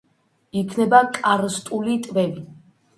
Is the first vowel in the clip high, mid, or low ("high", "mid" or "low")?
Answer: high